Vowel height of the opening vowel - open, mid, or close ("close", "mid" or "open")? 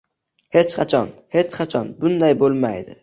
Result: mid